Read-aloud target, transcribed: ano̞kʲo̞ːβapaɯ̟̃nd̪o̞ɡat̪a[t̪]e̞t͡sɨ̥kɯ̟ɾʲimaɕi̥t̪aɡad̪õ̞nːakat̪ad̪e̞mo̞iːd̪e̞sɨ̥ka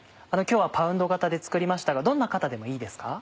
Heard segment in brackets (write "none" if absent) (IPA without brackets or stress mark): d̪